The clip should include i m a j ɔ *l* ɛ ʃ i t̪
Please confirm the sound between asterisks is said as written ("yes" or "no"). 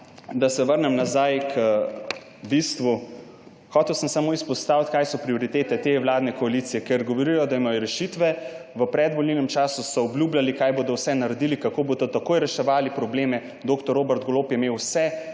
no